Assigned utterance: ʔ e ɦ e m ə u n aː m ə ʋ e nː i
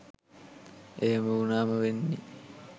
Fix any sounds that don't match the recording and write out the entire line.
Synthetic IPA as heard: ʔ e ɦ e m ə u n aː m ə ʋ e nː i